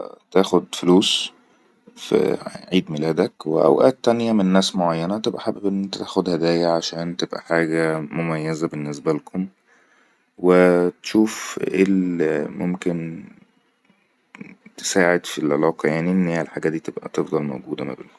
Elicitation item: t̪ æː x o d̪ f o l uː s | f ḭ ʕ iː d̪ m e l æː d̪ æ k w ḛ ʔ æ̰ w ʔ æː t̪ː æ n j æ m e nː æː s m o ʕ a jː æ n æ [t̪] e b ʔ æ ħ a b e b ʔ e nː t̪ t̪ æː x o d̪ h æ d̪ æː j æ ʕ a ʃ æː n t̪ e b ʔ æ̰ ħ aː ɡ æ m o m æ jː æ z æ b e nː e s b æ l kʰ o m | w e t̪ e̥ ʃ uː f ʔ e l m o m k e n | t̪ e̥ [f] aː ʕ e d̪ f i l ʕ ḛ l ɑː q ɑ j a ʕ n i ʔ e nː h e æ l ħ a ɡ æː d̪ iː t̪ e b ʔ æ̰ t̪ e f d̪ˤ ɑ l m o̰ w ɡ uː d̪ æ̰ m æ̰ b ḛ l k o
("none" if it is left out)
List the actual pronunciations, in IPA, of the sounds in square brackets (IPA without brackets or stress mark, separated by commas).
t̪, s